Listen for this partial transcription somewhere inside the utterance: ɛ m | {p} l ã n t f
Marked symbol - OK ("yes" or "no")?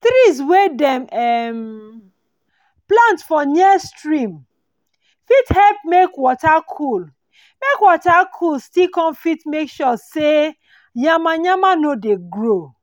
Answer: yes